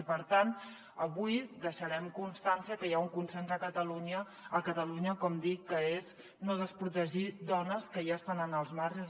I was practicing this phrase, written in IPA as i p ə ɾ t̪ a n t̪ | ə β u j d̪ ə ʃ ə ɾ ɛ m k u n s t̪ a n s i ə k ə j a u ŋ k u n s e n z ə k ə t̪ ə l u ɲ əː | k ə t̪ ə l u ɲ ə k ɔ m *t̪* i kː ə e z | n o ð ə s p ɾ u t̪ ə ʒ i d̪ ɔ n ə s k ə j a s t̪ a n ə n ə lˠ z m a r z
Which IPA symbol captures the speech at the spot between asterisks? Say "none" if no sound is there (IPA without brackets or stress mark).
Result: d̪